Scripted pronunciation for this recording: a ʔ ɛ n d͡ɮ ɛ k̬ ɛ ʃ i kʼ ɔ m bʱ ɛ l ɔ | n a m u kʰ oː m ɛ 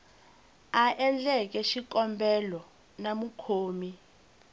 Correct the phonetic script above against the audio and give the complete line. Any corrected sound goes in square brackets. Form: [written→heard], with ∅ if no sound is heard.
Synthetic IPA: a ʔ ɛ n d͡ɮ ɛ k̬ ɛ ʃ i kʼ ɔ m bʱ ɛ l ɔ | n a m u kʰ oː m [ɛ→i]